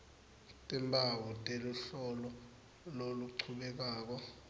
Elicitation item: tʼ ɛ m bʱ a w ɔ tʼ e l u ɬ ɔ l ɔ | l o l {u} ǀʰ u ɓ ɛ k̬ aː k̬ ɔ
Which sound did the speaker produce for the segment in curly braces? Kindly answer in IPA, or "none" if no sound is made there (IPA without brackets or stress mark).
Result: u